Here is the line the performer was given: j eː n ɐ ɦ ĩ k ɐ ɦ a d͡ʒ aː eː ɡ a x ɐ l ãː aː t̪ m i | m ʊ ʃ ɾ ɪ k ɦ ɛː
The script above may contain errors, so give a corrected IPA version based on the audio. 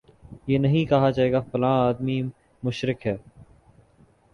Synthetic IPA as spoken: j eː n ɐ ɦ ĩ k ɐ ɦ a d͡ʒ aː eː ɡ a f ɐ l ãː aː d̪ m i | m ʊ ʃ ɾ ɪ k ɦ ɛː

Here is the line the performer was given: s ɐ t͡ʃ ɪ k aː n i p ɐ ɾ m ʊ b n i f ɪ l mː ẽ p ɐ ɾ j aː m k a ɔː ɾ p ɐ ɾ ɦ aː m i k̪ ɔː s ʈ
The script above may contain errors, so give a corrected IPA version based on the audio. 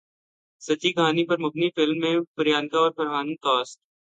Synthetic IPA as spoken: s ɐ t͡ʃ i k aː n i p ɐ ɾ m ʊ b n i f ɪ l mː ẽ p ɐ ɾ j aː n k a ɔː ɾ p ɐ ɾ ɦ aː n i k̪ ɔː s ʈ

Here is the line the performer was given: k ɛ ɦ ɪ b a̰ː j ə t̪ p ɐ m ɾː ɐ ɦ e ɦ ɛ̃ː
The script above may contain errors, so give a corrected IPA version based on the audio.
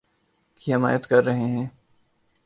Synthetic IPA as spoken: k i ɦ ɪ m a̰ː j ə t̪ k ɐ ɾː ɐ ɦ e ɦ ɛ̃ː

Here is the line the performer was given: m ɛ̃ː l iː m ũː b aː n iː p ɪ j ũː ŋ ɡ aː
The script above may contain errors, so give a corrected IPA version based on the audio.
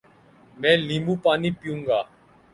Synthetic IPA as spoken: m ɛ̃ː l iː m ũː p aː n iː p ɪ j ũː ŋ ɡ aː

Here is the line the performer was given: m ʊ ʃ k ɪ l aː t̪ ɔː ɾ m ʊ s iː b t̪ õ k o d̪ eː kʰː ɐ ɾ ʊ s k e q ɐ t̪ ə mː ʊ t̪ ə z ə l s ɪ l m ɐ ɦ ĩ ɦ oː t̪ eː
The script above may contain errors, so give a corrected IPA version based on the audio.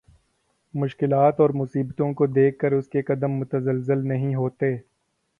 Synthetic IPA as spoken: m ʊ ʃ k ɪ l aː t̪ ɔː ɾ m ʊ s iː b t̪ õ k o d̪ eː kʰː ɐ ɾ ʊ s k e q ɐ d̪ ə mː ʊ t̪ ə z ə l z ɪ l n ɐ ɦ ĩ ɦ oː t̪ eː

